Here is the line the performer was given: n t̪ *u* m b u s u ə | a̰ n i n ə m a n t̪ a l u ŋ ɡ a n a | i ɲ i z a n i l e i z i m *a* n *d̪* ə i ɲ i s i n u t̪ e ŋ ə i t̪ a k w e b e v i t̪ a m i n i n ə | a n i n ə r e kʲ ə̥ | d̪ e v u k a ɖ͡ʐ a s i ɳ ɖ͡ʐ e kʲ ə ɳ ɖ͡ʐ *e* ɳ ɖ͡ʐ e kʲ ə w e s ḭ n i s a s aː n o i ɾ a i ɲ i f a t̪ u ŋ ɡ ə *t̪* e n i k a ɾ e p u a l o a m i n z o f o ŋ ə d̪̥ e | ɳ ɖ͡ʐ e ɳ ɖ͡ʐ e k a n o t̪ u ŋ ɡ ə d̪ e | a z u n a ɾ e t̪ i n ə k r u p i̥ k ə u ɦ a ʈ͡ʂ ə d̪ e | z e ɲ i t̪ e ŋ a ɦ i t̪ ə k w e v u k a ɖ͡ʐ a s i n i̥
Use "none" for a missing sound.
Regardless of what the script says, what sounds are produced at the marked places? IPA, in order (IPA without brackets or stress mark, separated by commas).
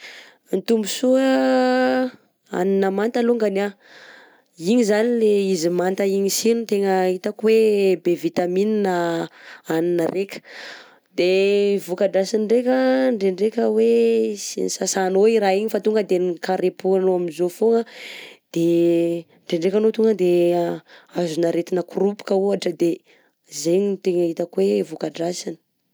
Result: u, a, t̪, e, d̪